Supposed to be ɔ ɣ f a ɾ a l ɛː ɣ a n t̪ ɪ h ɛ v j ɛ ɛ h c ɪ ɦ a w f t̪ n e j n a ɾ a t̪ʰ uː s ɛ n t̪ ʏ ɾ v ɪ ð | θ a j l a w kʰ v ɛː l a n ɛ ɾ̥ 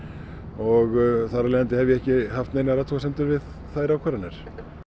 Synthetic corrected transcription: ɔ ɣ θ a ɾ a l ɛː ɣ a n t̪ ɪ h ɛ v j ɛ ɛ h c ɪ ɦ a f t̪ n e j n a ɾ a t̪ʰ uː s ɛ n t̪ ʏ ɾ v ɪ ð | θ a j ɾ a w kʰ v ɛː ɾ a n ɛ ɾ̥